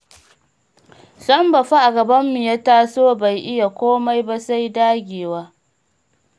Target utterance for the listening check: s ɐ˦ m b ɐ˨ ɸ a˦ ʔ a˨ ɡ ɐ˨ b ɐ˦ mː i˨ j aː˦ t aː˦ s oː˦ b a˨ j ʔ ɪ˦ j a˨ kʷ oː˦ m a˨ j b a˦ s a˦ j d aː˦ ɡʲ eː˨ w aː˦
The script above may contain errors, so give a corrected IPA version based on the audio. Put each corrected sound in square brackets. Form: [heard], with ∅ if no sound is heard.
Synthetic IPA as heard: s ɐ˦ m b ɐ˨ ɸ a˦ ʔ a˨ ɡ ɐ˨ b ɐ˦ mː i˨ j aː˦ t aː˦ s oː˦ b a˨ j ʔ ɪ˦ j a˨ kʷ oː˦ m [a˦] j b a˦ s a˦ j d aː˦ ɡʲ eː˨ w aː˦